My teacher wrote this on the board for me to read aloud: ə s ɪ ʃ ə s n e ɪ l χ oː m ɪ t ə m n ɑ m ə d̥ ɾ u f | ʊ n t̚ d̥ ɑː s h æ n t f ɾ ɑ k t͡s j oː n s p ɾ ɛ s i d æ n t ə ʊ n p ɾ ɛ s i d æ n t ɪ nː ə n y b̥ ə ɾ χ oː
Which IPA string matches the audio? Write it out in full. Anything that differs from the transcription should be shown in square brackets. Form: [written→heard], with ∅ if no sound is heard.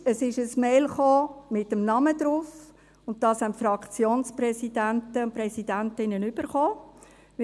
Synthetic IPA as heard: ə s ɪ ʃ ə s [n→m] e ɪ l χ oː m ɪ t ə m n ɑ m ə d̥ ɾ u f | ʊ n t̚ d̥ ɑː s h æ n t f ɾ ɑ k t͡s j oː n s p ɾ ɛ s i d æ n t ə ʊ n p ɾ ɛ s i d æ n t ɪ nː ə n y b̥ ə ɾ χ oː